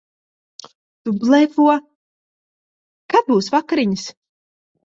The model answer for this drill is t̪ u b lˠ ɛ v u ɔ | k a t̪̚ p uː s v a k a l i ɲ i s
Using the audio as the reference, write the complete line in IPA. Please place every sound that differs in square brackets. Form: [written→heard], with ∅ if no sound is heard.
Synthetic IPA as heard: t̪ u b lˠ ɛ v u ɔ | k a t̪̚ [p→b] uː s v a k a [l→ɾ] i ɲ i s